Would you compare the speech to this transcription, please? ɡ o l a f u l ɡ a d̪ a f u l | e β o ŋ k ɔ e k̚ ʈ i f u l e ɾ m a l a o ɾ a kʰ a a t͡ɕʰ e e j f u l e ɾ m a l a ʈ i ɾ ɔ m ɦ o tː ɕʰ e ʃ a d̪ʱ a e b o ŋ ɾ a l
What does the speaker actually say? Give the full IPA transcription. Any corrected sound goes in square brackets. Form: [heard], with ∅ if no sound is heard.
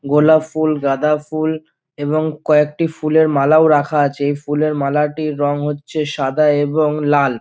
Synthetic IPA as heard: ɡ o l a f u l ɡ a d̪ a f u l | e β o ŋ k ɔ e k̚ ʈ i f u l e ɾ m a l a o ɾ a kʰ a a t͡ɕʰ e e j f u l e ɾ m a l a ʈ i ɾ ɔ [ŋ] ɦ o tː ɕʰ e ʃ a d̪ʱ a e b o ŋ [l] a l